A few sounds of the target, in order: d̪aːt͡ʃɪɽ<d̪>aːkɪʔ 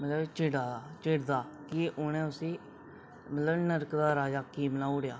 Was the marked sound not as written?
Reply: no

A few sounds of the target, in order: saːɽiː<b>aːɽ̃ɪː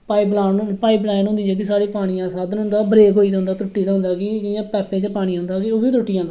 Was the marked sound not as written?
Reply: yes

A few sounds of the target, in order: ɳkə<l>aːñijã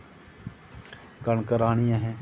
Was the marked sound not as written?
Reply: yes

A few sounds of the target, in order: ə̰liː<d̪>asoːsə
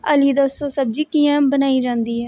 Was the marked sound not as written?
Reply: no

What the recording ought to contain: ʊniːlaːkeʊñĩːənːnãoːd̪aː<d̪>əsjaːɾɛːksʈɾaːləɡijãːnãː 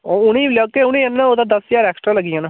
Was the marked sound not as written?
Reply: no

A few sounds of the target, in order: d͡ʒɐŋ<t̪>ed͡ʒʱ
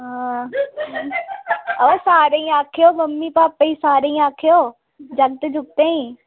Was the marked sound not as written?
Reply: no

